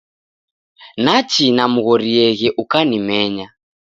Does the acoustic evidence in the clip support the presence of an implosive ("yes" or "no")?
no